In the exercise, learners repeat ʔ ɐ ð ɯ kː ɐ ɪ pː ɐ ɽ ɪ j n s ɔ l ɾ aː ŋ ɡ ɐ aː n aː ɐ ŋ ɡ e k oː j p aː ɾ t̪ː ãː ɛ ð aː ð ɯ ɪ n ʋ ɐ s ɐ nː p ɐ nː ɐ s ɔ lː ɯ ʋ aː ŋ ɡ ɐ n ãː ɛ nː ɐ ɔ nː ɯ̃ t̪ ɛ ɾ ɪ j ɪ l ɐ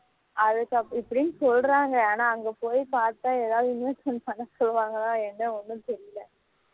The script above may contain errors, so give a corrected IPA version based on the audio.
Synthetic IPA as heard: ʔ ɐ ð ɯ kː ɐ ɪ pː ɐ ɽ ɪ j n s ɔ l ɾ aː ŋ ɡ ɐ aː n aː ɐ ŋ ɡ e p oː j p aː ɾ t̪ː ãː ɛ ð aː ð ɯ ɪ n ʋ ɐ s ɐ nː p ɐ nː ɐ s ɔ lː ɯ ʋ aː ŋ ɡ ɐ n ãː ɛ nː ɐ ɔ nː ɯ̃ t̪ ɛ ɾ ɪ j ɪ l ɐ